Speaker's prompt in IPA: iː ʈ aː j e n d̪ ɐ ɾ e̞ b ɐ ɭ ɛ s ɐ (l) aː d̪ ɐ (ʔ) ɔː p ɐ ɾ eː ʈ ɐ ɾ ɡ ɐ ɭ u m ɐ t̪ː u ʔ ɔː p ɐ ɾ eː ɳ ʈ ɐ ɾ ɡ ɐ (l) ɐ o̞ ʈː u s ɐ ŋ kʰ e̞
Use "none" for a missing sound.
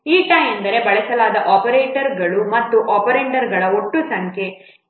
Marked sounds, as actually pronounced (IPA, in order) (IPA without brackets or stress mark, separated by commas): l, ʔ, ɭ